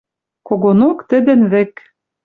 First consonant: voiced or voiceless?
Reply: voiceless